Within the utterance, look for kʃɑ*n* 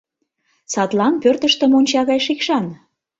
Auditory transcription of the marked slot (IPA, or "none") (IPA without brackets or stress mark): n